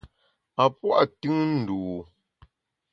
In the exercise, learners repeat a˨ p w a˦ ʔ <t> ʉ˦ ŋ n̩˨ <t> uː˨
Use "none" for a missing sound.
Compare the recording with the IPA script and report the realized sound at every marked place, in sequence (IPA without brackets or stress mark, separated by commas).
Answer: t, d